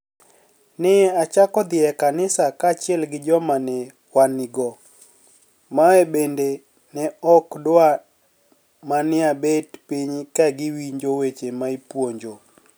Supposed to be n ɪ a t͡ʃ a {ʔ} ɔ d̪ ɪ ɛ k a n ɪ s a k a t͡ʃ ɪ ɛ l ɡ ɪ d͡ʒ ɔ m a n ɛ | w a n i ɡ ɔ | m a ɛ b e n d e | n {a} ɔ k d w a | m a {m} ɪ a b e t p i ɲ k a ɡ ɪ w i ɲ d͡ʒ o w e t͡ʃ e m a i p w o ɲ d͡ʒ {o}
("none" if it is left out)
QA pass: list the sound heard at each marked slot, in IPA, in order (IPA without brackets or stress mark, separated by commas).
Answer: k, ɛ, n, o